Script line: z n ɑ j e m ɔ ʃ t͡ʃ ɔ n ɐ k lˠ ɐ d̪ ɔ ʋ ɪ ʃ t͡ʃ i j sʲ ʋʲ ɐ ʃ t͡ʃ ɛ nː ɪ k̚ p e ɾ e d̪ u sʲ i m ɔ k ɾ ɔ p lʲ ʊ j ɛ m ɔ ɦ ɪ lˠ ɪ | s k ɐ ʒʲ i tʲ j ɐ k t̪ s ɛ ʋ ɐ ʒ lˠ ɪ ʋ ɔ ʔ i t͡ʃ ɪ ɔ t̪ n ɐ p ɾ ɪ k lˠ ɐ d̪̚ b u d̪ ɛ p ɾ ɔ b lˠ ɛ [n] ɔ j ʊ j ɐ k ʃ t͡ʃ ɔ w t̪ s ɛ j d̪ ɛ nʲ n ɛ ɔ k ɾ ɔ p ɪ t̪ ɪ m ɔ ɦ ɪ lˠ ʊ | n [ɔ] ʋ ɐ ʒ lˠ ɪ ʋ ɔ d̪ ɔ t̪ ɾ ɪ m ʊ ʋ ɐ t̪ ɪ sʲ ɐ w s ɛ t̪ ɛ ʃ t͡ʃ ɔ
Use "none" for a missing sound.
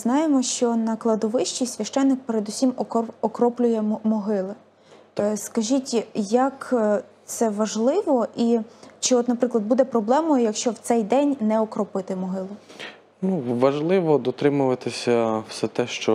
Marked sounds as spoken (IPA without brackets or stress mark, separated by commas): m, u